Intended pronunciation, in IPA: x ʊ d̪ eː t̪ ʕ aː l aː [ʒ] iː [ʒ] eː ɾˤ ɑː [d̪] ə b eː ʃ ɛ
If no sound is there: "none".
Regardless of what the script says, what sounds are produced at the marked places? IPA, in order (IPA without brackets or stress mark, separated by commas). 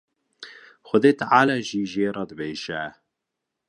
ʒ, ʒ, d̪